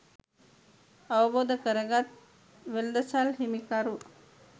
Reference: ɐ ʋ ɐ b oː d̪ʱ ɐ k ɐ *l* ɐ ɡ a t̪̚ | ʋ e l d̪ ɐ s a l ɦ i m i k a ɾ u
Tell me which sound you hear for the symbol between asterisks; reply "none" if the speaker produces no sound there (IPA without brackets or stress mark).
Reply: ɾ